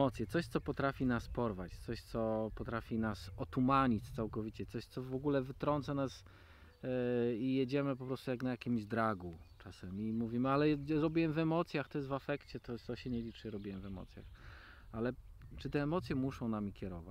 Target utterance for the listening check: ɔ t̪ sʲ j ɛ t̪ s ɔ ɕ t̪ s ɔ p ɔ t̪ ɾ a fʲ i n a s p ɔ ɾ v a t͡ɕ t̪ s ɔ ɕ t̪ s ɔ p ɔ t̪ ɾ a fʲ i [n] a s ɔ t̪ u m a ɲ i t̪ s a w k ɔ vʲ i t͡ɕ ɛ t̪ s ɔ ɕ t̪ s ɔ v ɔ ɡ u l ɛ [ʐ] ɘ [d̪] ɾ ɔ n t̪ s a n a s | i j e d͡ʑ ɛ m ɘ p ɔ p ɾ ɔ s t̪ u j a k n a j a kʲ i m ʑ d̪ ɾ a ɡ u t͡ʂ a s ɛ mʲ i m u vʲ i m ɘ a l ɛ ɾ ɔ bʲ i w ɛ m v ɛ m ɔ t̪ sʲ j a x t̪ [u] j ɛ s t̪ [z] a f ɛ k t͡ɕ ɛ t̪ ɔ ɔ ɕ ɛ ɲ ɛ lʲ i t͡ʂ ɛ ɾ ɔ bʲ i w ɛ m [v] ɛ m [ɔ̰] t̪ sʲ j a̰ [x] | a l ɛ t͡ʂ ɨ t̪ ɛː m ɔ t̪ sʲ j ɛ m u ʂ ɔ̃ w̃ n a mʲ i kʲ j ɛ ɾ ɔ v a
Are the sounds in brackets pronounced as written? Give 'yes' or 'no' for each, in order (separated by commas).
yes, no, no, no, no, yes, yes, yes